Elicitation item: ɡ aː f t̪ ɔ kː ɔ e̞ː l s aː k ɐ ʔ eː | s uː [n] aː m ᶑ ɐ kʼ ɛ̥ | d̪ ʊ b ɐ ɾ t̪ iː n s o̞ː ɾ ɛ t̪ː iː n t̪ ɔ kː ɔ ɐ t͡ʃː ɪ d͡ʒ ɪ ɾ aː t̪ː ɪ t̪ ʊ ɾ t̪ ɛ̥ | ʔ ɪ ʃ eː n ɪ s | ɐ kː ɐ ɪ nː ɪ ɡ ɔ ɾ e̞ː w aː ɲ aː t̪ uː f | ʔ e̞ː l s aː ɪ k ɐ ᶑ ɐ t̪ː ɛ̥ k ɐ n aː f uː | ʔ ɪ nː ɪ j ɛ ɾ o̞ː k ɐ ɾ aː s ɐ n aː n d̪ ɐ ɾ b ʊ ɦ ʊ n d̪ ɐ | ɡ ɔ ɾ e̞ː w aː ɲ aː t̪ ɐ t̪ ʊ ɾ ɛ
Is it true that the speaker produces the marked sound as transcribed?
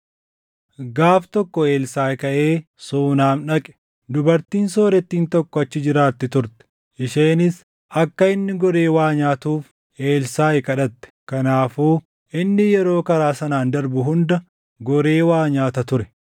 yes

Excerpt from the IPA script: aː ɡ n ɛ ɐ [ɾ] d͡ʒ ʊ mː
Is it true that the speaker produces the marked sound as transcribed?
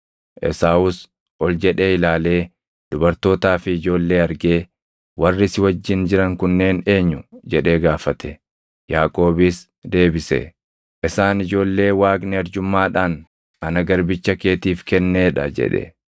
yes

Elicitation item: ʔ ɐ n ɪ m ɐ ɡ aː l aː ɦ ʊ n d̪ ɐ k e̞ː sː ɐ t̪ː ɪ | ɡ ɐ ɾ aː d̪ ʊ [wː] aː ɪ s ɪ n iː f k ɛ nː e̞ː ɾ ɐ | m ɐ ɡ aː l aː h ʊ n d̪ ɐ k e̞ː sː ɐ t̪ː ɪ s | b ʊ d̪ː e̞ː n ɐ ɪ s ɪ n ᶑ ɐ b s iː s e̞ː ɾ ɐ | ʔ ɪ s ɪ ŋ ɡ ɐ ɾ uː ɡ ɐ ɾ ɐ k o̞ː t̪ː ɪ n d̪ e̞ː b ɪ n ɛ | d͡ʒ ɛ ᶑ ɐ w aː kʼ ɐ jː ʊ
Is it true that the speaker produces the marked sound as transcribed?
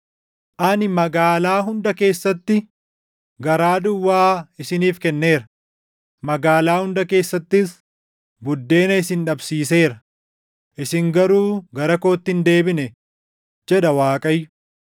yes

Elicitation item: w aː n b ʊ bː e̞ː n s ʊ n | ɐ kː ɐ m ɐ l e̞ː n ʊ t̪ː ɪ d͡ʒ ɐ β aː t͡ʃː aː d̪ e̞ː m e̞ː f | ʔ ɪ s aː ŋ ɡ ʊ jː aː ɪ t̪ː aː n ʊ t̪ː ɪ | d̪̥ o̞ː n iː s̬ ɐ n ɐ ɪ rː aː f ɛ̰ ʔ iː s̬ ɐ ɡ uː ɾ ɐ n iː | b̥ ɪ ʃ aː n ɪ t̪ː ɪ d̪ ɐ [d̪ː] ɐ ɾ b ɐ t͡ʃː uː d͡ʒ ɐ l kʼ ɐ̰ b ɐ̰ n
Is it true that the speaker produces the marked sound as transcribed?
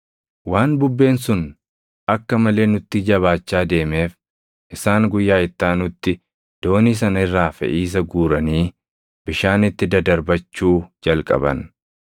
no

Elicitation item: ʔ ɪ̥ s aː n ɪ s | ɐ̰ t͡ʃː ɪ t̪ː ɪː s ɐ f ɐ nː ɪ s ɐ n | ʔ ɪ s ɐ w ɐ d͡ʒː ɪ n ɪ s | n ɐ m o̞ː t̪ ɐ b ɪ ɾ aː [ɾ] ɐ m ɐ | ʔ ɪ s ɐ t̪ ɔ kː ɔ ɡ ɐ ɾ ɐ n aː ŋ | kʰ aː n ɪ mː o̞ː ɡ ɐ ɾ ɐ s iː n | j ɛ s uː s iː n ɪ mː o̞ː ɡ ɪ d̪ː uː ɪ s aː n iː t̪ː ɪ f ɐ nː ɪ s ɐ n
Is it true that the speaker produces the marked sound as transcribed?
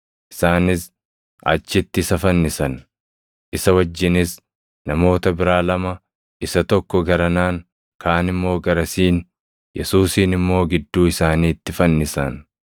no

